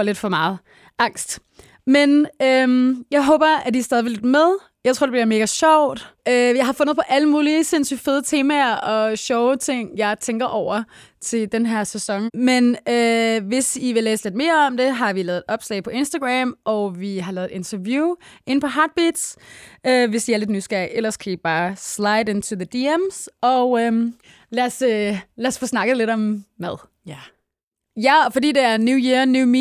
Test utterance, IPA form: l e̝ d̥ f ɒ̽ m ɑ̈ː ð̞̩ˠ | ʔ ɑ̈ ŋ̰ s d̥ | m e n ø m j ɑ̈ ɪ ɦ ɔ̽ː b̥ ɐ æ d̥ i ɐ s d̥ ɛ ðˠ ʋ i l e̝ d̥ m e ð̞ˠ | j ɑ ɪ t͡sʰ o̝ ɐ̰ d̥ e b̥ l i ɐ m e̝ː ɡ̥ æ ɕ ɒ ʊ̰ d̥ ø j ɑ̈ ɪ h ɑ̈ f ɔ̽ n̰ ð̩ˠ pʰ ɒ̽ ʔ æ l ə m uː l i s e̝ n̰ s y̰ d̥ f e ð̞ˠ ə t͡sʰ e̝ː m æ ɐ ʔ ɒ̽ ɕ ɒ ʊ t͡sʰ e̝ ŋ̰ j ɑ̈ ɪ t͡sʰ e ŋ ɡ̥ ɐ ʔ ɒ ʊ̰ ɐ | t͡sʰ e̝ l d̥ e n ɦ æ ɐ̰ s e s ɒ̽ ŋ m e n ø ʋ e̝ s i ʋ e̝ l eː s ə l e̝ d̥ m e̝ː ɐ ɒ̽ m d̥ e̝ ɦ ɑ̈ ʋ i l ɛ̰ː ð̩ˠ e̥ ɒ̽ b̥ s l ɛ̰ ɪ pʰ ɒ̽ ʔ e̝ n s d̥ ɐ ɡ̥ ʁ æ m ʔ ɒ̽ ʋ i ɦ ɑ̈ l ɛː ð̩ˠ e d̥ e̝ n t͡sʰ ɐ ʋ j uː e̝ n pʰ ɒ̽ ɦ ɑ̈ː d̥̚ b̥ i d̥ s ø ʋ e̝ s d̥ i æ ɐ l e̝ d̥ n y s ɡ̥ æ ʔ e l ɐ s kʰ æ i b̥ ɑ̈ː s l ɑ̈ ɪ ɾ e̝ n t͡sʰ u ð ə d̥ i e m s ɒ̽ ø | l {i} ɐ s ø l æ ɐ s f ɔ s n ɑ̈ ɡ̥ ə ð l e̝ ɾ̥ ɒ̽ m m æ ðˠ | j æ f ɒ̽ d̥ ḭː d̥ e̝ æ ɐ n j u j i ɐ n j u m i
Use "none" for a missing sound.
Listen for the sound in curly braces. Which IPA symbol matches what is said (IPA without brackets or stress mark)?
æ